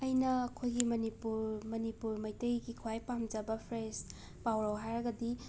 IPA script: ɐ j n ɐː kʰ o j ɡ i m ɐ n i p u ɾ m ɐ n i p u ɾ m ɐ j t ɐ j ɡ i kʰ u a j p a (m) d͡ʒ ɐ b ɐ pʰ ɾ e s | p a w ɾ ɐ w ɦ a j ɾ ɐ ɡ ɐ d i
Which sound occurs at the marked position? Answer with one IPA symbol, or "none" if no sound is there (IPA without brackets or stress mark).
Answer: m